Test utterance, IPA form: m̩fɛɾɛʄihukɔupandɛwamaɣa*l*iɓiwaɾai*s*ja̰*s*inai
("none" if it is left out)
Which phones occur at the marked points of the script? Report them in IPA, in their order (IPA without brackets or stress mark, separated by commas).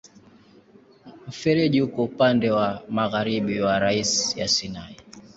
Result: ɾ, s, s